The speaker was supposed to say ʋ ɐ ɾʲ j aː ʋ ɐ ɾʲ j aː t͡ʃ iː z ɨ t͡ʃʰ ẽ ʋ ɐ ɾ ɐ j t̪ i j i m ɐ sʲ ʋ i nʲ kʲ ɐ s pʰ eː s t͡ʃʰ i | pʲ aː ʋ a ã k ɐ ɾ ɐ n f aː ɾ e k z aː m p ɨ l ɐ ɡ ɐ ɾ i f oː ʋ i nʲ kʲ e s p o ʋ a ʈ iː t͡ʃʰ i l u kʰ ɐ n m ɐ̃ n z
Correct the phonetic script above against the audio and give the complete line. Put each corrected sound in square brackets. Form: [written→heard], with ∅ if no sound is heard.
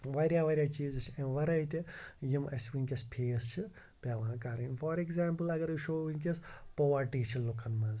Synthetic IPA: ʋ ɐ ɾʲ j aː ʋ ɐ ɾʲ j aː t͡ʃ iː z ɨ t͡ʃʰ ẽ ʋ ɐ ɾ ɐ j t̪ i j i m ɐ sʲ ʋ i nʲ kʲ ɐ s pʰ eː s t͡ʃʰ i | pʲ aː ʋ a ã k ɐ ɾ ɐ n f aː ɾ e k z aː m p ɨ l ɐ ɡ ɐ ɾ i [f→ʃ] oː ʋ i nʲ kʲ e s p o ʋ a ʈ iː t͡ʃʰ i l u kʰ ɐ n m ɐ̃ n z

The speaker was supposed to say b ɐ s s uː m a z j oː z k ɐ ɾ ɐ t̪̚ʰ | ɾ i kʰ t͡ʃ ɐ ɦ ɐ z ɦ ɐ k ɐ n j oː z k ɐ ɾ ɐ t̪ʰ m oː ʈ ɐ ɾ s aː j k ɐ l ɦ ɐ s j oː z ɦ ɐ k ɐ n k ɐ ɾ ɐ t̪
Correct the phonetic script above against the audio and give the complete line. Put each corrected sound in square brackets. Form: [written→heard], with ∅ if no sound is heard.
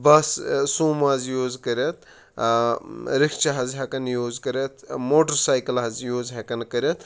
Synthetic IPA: b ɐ s s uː m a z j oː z k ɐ ɾ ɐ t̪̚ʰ | ɾ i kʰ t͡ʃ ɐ ɦ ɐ z ɦ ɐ k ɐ n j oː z k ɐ ɾ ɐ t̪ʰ m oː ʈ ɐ ɾ s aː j k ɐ l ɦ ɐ [s→z] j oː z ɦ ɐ k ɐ n k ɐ ɾ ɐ t̪

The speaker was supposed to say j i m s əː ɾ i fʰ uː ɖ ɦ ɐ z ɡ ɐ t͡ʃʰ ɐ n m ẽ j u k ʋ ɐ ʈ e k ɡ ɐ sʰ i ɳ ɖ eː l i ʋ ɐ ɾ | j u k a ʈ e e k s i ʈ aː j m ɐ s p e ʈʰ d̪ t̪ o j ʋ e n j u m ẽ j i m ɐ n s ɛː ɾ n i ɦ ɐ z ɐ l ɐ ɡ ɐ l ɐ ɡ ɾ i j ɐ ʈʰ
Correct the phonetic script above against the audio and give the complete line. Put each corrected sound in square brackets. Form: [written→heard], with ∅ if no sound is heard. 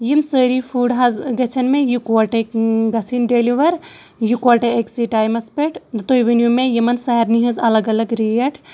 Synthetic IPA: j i m s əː ɾ i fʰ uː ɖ ɦ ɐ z ɡ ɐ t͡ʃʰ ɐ n m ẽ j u k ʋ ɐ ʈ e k ɡ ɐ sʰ i [ɳ→n] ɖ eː l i ʋ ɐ ɾ | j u k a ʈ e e k s i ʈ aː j m ɐ s p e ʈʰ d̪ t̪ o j ʋ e n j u m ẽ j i m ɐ n s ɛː ɾ n i ɦ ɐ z ɐ l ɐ ɡ ɐ l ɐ ɡ ɾ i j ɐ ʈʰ

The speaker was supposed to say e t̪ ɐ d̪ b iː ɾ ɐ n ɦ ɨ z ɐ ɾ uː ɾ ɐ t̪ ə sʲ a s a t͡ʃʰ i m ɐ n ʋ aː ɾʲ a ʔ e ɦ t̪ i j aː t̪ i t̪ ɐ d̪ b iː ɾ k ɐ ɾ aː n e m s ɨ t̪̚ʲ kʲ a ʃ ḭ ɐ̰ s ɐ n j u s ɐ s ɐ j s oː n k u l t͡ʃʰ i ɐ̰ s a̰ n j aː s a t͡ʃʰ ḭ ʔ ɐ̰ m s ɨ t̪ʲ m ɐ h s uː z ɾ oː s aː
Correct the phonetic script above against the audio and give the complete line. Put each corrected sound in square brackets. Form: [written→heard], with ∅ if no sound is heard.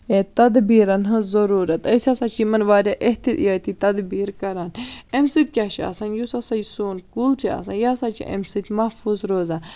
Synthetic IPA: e t̪ ɐ d̪ b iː ɾ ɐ n ɦ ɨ z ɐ ɾ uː ɾ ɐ t̪ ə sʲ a s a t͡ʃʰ i m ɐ n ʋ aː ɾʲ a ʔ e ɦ t̪ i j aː t̪ i t̪ ɐ d̪ b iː ɾ k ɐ ɾ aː n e m s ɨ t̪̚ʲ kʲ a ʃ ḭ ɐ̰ s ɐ n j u s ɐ s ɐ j s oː n k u l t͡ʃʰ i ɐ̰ s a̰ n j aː s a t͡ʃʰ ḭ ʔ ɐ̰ m s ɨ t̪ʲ m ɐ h [s→f] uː z ɾ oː [s→z] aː

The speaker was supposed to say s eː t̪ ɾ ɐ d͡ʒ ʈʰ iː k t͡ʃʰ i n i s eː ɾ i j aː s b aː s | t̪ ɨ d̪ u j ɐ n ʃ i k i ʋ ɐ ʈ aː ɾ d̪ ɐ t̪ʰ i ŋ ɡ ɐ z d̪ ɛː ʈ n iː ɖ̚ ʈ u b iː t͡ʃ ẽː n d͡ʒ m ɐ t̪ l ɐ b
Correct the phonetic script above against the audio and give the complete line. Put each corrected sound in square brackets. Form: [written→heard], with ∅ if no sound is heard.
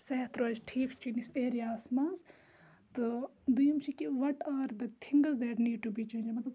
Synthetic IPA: s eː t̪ ɾ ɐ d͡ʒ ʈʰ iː k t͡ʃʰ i n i s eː ɾ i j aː s [b→m] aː [s→z] | t̪ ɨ d̪ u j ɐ [n→m] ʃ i k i ʋ ɐ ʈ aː ɾ d̪ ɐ t̪ʰ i ŋ ɡ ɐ z d̪ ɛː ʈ n iː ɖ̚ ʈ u b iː t͡ʃ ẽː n d͡ʒ m ɐ t̪ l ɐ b

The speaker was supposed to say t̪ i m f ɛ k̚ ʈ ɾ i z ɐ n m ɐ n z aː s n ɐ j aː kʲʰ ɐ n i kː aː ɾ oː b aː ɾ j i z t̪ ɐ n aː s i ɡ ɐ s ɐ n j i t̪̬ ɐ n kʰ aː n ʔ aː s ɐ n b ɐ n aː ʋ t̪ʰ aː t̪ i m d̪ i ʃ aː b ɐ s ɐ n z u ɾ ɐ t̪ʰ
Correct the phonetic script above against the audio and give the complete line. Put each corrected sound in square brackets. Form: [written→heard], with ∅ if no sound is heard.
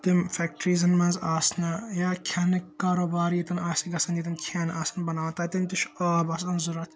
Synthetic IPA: t̪ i m f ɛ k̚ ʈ ɾ i z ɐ n m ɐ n z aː s n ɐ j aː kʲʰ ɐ n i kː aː ɾ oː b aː ɾ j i [z→∅] t̪ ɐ n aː s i ɡ ɐ s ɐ n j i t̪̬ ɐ n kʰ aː n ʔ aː s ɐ n b ɐ n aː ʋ [t̪ʰ→t̪] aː t̪ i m [d̪→t̪] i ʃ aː b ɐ s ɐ n z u ɾ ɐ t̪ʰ

